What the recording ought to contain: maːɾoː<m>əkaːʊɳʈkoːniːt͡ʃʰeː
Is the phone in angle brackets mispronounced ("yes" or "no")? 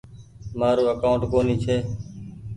yes